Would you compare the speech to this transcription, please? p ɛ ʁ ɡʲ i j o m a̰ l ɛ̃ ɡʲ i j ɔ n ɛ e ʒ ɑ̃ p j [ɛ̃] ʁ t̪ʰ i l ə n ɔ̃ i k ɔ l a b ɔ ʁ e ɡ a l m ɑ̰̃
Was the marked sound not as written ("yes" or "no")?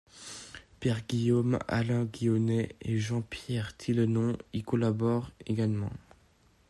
yes